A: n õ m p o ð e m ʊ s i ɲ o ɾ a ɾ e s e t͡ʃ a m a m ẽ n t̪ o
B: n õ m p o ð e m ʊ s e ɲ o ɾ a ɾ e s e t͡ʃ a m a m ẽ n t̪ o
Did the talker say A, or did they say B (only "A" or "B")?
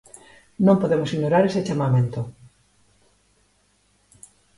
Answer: A